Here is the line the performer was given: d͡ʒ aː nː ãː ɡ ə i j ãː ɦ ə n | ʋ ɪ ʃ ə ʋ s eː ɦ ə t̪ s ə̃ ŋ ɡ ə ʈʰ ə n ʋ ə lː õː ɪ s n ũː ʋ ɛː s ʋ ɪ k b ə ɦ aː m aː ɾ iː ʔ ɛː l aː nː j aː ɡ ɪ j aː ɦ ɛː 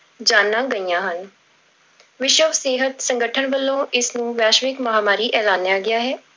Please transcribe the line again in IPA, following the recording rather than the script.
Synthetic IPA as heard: d͡ʒ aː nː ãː ɡ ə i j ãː ɦ ə n | ʋ ɪ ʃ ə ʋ s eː ɦ ə t̪ s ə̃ ŋ ɡ ə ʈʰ ə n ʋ ə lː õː ɪ s n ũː ʋ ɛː ʃ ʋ ɪ k m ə ɦ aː m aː ɾ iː ʔ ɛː l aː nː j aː ɡ ɪ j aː ɦ ɛː